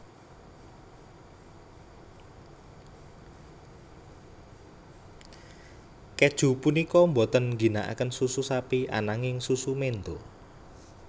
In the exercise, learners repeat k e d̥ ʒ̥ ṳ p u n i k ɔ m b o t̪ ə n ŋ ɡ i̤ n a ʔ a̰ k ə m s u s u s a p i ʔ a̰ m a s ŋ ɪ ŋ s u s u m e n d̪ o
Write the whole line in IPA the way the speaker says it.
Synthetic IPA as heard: k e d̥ ʒ̥ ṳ p u n i k ɔ m b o t̪ ə n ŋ ɡ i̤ n a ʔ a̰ k ə n s u s u s a p i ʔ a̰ n a ŋ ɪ ŋ s u s u m e n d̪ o